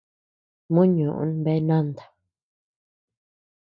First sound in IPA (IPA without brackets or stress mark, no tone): m